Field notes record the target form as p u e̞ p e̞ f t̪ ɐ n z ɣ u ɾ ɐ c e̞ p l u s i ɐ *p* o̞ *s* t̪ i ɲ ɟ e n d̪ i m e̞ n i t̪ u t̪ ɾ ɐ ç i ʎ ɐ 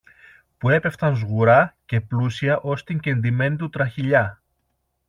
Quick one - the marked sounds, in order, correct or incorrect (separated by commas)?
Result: incorrect, correct